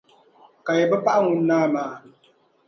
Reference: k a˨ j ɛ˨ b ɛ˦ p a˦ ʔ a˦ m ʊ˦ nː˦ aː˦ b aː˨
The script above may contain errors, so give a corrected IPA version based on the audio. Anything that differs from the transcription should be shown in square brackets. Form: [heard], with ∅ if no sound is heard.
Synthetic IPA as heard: k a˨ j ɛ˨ b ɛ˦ p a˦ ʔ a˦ [ŋ] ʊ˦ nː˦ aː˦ [m] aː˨